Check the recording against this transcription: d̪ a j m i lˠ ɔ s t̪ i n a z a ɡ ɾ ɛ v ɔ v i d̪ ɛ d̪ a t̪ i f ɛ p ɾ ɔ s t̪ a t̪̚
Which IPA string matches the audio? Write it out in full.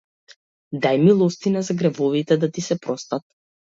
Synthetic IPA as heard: d̪ a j m i lˠ ɔ s t̪ i n a z a ɡ ɾ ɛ v ɔ v i t̪ ɛ d̪ a t̪ i s ɛ p ɾ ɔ s t̪ a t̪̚

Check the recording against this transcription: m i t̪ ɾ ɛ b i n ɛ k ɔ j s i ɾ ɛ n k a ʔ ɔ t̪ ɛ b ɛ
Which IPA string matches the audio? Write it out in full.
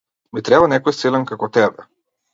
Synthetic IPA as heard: m i t̪ ɾ ɛ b a n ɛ k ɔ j s i l ɛ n k a k ɔ t̪ ɛ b ɛ

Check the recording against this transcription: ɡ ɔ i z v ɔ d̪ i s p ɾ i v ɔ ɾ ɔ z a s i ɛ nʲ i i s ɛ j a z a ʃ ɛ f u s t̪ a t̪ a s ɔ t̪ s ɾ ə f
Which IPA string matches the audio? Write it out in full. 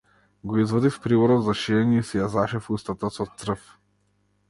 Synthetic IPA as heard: ɡ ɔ i z v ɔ d̪ i f p ɾ i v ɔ ɾ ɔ z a ʃ i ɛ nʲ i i s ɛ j a z a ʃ ɛ f u s t̪ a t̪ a s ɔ t̪ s ɾ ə f

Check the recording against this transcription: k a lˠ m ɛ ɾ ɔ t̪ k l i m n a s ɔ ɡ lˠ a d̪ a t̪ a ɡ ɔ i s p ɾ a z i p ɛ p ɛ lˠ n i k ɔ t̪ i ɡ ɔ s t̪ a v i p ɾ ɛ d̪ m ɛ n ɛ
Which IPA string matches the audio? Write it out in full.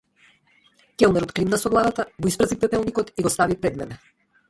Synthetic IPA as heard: k ɛ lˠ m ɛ ɾ ɔ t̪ k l i m n a s ɔ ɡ lˠ a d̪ a t̪ a ɡ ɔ i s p ɾ a z i p ɛ p ɛ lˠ n i k ɔ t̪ i ɡ ɔ s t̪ a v i p ɾ ɛ d̪ m ɛ n ɛ

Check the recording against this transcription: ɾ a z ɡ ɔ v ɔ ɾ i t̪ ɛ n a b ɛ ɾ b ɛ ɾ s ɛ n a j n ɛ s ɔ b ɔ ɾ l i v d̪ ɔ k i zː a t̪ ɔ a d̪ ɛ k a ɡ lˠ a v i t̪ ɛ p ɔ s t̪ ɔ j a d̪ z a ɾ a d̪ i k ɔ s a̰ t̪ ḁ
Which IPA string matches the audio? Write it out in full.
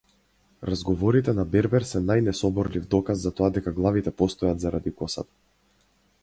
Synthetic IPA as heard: ɾ a z ɡ ɔ v ɔ ɾ i t̪ ɛ n a b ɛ ɾ b ɛ ɾ s ɛ n a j n ɛ s ɔ b ɔ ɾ l i v d̪ ɔ k a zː a t̪ ɔ a d̪ ɛ k a ɡ lˠ a v i t̪ ɛ p ɔ s t̪ ɔ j a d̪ z a ɾ a d̪ i k ɔ s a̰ t̪ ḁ

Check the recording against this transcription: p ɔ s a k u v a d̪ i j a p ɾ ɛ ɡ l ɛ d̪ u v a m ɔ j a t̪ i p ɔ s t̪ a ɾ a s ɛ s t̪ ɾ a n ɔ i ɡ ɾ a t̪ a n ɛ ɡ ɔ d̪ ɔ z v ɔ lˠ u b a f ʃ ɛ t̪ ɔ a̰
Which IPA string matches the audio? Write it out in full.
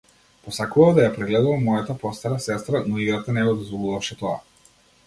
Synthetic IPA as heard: p ɔ s a k u v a d̪ a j a p ɾ ɛ ɡ l ɛ d̪ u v a m ɔ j a t̪ a p ɔ s t̪ a ɾ a s ɛ s t̪ ɾ a n ɔ i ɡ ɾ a t̪ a n ɛ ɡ ɔ d̪ ɔ z v ɔ lˠ u v a f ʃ ɛ t̪ ɔ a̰

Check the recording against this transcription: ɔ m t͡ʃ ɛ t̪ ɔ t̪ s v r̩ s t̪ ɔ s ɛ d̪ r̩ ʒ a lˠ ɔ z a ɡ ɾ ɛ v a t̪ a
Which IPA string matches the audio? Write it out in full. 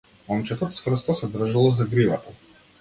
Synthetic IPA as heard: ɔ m t͡ʃ ɛ t̪ ɔ t̪ s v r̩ s t̪ ɔ s ɛ d̪ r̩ ʒ a lˠ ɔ z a ɡ ɾ i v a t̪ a

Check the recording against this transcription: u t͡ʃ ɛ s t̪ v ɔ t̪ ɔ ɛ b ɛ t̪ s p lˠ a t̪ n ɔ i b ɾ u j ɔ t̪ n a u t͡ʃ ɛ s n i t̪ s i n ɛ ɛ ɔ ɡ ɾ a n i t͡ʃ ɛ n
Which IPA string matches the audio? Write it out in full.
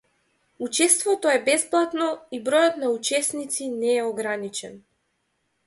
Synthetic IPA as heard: u t͡ʃ ɛ s t̪ v ɔ t̪ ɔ ɛ b ɛ s p lˠ a t̪ n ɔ i b ɾ ɔ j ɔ t̪ n a u t͡ʃ ɛ s n i t̪ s i n ɛ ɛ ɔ ɡ ɾ a n i t͡ʃ ɛ n

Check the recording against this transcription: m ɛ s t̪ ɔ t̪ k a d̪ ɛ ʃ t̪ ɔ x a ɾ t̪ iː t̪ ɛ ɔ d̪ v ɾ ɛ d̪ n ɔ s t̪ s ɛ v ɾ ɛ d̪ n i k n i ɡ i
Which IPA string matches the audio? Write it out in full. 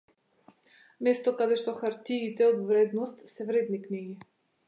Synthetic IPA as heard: m ɛ s t̪ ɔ k a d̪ ɛ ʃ t̪ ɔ x a ɾ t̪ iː t̪ ɛ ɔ d̪ v ɾ ɛ d̪ n ɔ s t̪ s ɛ v ɾ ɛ d̪ n i k n i ɡ i

